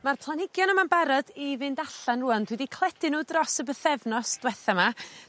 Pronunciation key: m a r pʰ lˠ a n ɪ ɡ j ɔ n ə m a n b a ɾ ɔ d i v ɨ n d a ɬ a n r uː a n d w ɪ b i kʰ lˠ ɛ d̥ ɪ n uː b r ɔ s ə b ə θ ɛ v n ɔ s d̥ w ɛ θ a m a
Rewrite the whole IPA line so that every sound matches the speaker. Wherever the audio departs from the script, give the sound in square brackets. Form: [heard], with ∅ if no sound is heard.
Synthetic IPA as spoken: m a r pʰ lˠ a n ɪ ɡ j ɔ n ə m a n b a ɾ ɔ d i v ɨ n d a ɬ a n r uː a n d w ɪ [d] i kʰ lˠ ɛ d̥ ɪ n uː [d] r ɔ s ə b ə θ ɛ v n ɔ s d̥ w ɛ θ a m a